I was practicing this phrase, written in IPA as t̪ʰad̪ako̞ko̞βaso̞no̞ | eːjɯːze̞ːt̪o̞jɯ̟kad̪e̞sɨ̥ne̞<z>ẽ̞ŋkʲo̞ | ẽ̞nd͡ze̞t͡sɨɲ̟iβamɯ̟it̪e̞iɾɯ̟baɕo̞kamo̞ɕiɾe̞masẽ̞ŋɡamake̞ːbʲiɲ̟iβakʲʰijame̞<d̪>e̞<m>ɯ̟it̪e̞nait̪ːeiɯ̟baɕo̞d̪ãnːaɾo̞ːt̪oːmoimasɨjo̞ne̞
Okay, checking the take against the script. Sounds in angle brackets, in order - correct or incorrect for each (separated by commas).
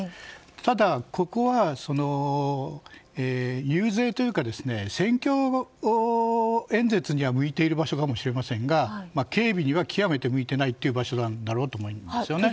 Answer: incorrect, incorrect, correct